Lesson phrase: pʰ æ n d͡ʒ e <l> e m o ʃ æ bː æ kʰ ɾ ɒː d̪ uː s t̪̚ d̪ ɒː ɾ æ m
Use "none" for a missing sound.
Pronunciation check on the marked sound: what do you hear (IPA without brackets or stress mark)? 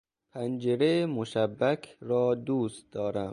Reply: ɾ